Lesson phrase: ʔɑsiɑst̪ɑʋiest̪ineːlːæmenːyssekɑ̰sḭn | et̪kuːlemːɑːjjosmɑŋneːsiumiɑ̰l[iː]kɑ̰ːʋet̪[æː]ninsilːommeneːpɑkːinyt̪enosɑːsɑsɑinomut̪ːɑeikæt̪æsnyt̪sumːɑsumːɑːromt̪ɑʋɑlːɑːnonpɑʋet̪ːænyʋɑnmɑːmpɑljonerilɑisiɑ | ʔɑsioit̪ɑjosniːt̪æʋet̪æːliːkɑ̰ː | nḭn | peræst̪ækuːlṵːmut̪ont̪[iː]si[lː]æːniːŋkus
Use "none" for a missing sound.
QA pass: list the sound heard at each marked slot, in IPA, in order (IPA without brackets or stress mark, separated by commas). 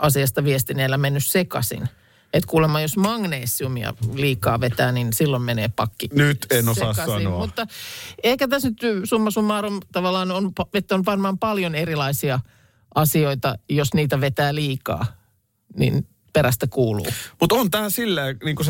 iː, æː, æː, lː